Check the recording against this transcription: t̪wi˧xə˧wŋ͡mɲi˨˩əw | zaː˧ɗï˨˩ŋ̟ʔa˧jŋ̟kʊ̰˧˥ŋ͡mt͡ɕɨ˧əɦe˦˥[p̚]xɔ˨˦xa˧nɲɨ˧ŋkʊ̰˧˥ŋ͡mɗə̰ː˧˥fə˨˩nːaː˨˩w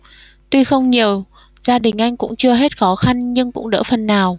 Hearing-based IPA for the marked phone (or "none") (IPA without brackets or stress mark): t̚